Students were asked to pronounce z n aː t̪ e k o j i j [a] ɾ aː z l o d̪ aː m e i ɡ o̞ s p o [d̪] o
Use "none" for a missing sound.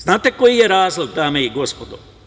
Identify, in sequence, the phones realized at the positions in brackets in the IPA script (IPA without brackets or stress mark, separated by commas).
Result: e, d̪